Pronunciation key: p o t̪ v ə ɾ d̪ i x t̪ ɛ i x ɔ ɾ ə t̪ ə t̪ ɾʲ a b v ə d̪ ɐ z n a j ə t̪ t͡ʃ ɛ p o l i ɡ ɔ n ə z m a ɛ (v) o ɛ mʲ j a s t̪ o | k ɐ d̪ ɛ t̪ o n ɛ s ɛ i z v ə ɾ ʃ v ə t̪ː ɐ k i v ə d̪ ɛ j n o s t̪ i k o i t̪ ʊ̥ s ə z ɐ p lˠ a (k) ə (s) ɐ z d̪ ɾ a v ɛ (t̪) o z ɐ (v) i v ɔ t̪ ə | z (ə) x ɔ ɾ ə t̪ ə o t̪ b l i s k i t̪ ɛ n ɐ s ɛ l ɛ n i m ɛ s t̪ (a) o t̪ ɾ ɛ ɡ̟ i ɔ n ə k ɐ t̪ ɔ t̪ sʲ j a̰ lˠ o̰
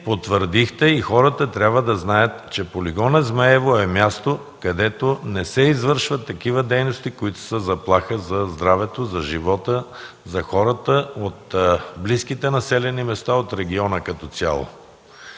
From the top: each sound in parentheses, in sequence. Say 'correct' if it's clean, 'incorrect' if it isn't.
correct, incorrect: x, incorrect: z, correct, incorrect: ʒ, incorrect: ɐ, correct

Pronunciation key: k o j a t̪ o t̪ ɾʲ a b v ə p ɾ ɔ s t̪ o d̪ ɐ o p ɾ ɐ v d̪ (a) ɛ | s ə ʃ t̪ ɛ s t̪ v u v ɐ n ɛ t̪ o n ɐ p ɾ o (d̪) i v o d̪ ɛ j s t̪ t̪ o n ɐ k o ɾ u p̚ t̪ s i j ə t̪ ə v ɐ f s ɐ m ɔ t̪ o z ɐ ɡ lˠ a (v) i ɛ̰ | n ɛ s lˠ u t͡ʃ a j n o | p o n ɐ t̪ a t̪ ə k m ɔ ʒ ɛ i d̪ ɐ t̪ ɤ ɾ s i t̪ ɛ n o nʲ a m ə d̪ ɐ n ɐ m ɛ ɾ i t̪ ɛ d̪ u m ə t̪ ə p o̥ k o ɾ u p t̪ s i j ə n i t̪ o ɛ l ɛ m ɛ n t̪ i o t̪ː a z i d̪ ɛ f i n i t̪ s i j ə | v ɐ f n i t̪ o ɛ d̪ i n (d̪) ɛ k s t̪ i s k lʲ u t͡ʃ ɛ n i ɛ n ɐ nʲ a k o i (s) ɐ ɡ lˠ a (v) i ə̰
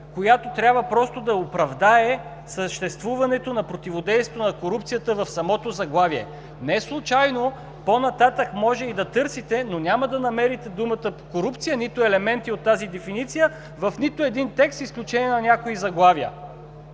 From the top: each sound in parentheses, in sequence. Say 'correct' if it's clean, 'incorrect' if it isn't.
correct, incorrect: t̪, correct, incorrect: t̪, incorrect: z, correct

